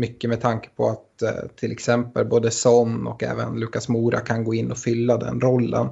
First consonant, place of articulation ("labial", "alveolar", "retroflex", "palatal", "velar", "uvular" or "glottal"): labial